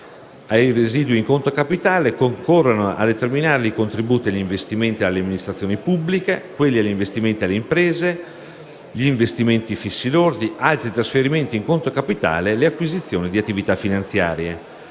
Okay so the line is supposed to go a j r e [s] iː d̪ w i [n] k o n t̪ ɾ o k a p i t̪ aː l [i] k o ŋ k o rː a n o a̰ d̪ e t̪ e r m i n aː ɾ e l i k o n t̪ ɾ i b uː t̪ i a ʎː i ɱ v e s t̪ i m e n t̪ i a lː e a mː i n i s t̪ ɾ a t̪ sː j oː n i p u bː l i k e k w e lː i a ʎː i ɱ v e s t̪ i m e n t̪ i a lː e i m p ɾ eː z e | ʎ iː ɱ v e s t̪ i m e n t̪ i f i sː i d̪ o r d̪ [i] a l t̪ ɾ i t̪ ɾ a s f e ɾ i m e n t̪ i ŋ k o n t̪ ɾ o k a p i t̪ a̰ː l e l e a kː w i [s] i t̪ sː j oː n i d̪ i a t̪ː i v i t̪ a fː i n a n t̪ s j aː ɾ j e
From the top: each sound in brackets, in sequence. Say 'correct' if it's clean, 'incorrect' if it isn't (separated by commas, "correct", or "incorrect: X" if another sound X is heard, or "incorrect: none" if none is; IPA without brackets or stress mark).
incorrect: z, incorrect: ŋ, incorrect: e, correct, incorrect: z